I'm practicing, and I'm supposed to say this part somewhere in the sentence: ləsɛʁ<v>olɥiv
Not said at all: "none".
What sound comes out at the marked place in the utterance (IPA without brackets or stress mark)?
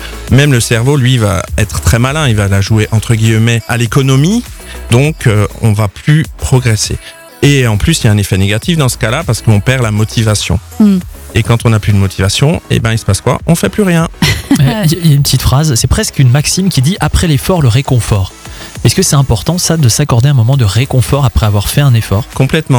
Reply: v